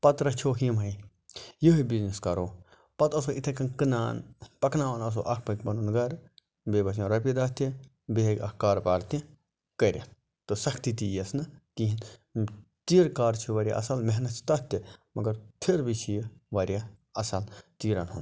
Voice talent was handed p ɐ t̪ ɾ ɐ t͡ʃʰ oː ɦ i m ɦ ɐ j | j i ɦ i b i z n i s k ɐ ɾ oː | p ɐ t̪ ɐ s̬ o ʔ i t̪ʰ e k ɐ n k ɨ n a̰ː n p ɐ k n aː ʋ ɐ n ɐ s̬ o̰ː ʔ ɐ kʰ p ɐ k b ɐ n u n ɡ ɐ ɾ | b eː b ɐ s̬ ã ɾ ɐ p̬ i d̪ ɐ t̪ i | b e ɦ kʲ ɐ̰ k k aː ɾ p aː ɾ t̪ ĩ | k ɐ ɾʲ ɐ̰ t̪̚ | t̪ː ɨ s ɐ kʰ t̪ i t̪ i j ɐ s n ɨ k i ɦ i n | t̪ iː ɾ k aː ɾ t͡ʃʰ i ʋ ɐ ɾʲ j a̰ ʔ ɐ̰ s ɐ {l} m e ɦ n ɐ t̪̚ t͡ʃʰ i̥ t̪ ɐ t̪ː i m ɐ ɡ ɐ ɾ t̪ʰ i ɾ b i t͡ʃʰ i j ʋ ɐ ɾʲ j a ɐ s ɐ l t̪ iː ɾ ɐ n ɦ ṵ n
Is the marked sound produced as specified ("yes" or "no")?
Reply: yes